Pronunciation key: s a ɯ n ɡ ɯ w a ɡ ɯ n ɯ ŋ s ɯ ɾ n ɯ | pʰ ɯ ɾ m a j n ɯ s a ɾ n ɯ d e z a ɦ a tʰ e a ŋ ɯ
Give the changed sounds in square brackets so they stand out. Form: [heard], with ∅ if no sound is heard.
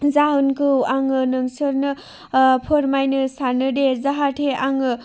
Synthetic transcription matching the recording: [z] a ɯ n [k] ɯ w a [ŋ] ɯ n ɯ ŋ s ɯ ɾ n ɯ | pʰ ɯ ɾ m a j n ɯ s a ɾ n ɯ d e z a ɦ a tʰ e a ŋ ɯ